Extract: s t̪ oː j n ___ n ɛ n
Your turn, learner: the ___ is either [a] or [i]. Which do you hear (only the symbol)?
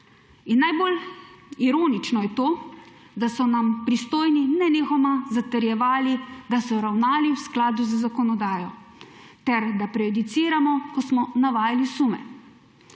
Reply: i